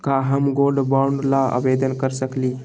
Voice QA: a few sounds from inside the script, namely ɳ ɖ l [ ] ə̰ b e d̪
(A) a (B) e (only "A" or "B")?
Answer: A